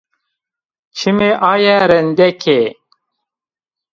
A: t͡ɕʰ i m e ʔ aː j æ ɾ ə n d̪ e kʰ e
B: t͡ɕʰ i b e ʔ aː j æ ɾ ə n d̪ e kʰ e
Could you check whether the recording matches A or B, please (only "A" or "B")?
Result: A